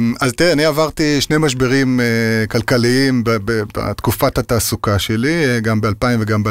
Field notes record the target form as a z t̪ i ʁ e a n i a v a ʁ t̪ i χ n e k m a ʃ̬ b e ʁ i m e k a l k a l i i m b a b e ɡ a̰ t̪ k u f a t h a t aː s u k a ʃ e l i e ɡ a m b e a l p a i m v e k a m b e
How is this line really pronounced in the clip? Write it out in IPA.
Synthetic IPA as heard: a z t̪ i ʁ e a n i a v a ʁ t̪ i ʃ n e m a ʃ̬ b e ʁ i m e k a l k a l i i m b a b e b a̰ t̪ k u f a t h a t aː s u k a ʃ e l i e ɡ a m b e a l p a i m v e ɡ a m b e